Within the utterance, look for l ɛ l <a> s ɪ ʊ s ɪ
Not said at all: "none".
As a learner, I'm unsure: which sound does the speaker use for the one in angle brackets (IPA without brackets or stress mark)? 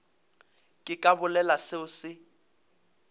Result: a